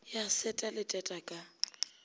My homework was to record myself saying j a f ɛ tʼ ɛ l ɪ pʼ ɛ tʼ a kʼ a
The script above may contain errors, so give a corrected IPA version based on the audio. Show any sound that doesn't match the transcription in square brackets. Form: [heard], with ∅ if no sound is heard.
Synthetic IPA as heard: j a [s] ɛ tʼ [a] l ɪ [tʼ] ɛ tʼ a kʼ a